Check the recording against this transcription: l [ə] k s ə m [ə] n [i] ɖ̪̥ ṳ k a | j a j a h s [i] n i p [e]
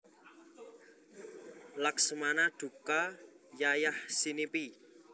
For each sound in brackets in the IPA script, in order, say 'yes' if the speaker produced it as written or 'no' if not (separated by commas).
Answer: no, no, no, yes, no